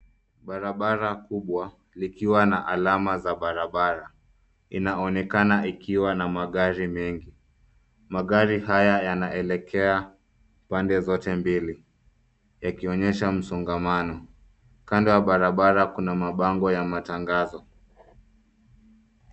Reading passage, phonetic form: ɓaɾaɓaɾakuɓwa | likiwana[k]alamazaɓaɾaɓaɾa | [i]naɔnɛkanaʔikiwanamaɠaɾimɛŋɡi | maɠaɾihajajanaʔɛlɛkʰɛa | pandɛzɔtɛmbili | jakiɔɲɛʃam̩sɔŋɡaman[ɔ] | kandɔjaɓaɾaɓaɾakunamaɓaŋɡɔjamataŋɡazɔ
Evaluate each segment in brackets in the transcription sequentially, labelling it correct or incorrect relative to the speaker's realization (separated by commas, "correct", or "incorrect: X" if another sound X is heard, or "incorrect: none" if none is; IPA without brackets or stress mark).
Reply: incorrect: ʔ, correct, correct